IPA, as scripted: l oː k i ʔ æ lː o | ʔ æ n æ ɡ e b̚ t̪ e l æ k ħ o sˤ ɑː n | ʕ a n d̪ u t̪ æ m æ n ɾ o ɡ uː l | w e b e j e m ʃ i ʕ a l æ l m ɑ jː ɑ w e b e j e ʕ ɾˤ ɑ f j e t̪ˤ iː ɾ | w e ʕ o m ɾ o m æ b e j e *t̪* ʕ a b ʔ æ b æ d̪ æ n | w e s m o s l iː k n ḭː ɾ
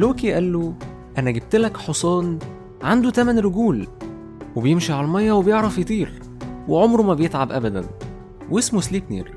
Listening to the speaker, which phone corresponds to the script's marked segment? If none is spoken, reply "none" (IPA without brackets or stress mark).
t̪